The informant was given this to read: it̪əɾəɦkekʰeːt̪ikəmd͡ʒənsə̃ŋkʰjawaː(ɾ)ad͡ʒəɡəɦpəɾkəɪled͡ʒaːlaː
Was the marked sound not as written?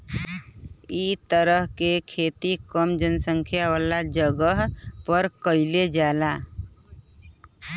yes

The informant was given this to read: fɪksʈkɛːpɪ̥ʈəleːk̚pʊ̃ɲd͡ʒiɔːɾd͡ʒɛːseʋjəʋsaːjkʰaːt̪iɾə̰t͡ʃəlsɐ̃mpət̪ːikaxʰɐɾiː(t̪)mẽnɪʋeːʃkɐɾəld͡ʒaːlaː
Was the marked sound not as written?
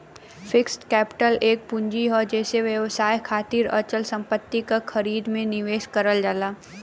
yes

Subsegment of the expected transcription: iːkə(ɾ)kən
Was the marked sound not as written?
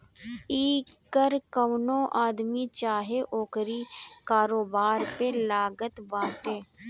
no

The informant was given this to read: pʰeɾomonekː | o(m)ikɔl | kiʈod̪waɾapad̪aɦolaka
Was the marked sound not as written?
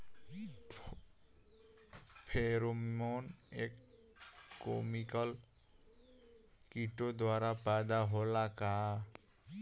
no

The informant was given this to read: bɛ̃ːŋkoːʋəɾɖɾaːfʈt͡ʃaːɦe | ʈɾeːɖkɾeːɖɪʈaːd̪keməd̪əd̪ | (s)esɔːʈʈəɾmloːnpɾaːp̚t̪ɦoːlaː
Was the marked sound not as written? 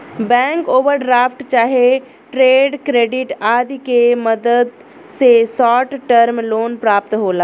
no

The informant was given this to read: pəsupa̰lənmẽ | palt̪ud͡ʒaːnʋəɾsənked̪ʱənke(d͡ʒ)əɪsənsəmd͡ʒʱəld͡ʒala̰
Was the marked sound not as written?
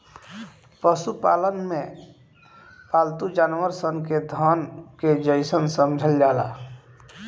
no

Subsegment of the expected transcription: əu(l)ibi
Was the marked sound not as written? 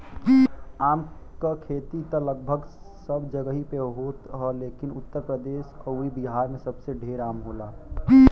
yes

